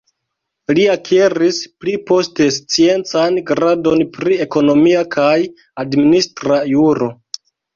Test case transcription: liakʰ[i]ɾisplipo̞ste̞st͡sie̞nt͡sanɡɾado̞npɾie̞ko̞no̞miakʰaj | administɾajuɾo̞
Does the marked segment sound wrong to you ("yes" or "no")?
yes